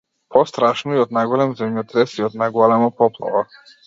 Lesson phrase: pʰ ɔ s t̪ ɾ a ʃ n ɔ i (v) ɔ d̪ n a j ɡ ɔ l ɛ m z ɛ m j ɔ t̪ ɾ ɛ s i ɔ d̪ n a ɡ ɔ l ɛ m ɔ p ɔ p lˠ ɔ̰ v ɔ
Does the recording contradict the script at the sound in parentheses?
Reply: yes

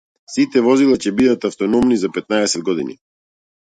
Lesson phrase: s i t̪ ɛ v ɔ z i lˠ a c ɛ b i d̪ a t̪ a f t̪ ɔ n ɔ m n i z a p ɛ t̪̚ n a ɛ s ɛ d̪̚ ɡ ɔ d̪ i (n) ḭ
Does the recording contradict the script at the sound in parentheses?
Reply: no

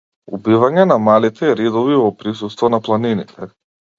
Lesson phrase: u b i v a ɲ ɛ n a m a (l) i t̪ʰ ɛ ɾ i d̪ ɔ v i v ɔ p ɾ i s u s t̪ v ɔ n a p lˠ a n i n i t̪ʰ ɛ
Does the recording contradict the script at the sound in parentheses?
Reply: no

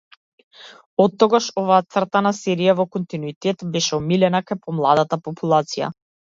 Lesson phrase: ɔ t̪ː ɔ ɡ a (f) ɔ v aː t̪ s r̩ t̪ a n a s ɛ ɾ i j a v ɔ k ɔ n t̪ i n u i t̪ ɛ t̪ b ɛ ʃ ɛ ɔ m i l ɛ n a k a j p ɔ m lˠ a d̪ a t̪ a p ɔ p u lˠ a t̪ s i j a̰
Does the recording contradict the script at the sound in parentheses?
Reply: yes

